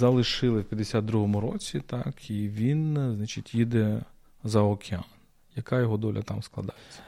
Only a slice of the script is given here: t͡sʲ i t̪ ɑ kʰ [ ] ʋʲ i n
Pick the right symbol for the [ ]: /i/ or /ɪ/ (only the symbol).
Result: i